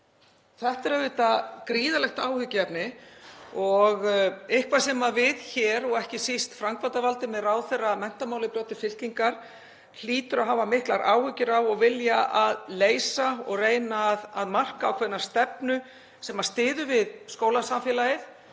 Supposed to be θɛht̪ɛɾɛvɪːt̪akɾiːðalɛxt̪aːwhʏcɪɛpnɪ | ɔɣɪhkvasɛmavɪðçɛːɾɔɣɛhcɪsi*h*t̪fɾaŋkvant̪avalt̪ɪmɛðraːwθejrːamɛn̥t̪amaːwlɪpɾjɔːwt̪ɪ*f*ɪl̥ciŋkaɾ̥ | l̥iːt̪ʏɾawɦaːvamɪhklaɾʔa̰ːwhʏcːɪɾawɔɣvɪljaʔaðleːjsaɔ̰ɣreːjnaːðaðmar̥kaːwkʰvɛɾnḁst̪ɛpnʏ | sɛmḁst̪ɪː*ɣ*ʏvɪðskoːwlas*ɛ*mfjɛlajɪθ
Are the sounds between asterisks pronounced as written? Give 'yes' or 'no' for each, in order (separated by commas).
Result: no, yes, no, no